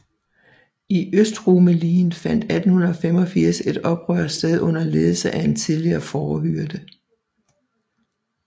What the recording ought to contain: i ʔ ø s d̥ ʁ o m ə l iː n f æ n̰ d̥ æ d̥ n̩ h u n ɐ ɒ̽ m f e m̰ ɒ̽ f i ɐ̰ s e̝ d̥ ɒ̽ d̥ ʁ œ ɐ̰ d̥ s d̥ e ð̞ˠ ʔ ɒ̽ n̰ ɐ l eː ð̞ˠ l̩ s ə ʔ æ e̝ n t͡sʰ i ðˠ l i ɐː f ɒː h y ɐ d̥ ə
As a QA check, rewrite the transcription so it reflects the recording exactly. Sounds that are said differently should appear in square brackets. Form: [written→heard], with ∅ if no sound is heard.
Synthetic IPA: i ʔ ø s d̥ ʁ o m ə l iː n f æ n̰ d̥ æ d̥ n̩ h u n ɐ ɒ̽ [m→∅] f e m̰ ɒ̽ f i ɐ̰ s e̝ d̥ ɒ̽ [d̥→b̥] ʁ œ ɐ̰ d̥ s d̥ e ð̞ˠ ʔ [ɒ̽→ɔ̽] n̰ ɐ l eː ð̞ˠ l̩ s ə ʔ æ e̝ n t͡sʰ i ðˠ l i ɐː f ɒː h y ɐ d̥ ə